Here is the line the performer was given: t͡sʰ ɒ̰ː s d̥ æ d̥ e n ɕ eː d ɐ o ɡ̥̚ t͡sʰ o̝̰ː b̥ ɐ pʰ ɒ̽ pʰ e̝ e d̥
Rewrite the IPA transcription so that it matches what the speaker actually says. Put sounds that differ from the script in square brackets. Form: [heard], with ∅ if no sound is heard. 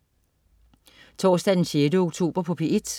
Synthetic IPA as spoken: t͡sʰ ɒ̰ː s d̥ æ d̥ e n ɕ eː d [ə] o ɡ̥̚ t͡sʰ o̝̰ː b̥ ɐ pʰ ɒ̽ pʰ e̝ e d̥

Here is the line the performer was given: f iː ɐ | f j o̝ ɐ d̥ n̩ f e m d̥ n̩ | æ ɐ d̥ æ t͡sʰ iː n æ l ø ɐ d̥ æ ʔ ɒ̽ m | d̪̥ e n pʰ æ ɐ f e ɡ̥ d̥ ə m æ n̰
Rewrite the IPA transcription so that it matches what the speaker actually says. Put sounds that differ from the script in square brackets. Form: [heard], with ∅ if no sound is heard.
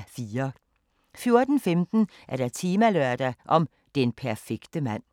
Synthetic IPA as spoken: f iː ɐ | f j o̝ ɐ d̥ n̩ f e m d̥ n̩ | æ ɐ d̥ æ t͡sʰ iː [m] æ l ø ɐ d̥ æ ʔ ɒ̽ m | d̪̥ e n pʰ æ ɐ f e ɡ̥ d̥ ə m æ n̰

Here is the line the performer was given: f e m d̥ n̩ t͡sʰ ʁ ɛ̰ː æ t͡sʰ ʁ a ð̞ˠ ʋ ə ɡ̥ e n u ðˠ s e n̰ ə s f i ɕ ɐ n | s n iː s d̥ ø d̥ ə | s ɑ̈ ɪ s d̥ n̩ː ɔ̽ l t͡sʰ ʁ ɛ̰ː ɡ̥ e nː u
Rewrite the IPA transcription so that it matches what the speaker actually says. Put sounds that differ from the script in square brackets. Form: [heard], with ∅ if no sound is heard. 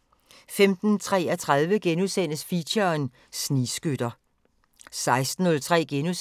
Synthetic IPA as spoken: f e m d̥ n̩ t͡sʰ ʁ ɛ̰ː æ t͡sʰ ʁ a ð̞ˠ ʋ ə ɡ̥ e n u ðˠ s e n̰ ə s f i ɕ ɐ n | s n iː s [ɡ̥] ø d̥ [ɐ] | s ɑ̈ ɪ s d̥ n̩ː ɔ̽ l t͡sʰ ʁ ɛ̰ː ɡ̥ e [n] u

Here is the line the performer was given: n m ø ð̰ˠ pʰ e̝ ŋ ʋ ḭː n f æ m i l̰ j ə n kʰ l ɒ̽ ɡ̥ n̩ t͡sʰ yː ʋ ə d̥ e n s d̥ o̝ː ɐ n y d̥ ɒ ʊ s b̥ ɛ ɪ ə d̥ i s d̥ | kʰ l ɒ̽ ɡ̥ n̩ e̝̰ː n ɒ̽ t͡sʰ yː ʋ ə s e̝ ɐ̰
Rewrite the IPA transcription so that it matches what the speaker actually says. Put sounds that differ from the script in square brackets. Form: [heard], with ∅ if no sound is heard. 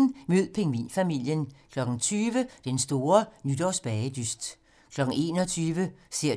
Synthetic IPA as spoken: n m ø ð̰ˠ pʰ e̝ ŋ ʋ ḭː n f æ m i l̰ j ə n kʰ l ɒ̽ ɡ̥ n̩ t͡sʰ yː ʋ ə d̥ e n s d̥ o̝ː ɐ n y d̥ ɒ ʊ s b̥ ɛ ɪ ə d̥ [y] s d̥ | kʰ l ɒ̽ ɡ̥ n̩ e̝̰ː n ɒ̽ t͡sʰ yː ʋ ə s e̝ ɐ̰

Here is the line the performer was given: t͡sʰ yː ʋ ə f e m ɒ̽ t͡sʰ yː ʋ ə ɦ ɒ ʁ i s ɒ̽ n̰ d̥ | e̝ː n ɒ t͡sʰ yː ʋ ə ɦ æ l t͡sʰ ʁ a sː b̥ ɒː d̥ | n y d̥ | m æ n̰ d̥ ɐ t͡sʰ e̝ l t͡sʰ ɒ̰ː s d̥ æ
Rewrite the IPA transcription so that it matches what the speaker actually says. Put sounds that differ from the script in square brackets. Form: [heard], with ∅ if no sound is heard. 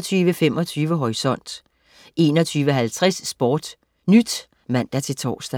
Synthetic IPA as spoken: t͡sʰ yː ʋ ə f e m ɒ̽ t͡sʰ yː ʋ ə ɦ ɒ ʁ i s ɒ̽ n̰ d̥ | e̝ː n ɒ t͡sʰ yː ʋ ə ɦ æ l t͡sʰ ʁ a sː b̥ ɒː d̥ | n y d̥ | m æ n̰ d̥ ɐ t͡sʰ e̝ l t͡sʰ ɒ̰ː s d̥ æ

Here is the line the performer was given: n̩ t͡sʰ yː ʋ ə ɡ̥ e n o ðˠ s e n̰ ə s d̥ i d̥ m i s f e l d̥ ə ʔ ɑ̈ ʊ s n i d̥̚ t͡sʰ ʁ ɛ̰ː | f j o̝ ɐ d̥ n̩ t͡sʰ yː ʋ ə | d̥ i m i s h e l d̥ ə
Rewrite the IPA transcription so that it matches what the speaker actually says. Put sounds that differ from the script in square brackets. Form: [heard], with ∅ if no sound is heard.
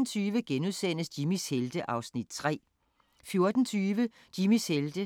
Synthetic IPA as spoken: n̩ t͡sʰ yː ʋ ə ɡ̥ e n [u] ðˠ s e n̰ ə s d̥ i [∅] m i s [h] e l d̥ ə ʔ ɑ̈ ʊ s n i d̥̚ t͡sʰ ʁ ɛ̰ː | f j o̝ ɐ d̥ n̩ t͡sʰ yː ʋ ə | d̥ i m i s h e l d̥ ə

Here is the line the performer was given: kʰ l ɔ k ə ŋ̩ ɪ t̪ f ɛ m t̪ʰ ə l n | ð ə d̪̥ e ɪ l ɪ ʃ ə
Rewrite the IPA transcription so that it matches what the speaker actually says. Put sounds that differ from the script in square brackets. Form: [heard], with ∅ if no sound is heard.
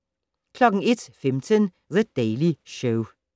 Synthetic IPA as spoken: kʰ l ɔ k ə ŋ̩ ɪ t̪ f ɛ m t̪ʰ ə [∅] n | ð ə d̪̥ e ɪ l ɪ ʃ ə

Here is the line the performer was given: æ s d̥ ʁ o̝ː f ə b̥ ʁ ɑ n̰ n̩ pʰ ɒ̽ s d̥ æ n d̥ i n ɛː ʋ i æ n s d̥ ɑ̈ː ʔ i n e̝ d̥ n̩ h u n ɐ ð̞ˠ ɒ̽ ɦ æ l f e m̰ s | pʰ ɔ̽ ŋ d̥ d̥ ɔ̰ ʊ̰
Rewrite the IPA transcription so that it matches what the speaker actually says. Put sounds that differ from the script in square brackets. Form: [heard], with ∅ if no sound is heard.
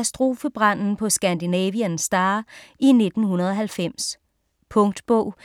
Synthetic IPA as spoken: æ s d̥ ʁ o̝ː f ə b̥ ʁ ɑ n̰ n̩ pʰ ɒ̽ s [ɡ̥] æ n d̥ i n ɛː ʋ i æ n s d̥ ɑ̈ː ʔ i n e̝ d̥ n̩ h u n ɐ ð̞ˠ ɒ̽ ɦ æ l f e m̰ s | pʰ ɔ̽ ŋ d̥ [b̥] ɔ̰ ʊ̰

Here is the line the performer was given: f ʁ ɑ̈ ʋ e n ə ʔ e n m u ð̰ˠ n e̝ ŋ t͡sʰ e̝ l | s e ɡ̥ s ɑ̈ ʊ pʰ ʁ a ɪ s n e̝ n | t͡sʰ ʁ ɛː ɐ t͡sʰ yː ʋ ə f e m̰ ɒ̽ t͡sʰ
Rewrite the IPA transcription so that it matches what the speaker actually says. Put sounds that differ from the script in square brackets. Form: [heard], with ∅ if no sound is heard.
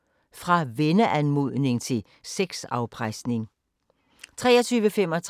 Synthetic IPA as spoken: f ʁ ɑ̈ ʋ e n ə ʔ [æ] n m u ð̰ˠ n e̝ ŋ t͡sʰ e̝ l | s e ɡ̥ s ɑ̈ ʊ pʰ ʁ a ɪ s n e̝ [ŋ] | t͡sʰ ʁ ɛː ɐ t͡sʰ yː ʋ ə f e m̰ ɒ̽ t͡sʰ

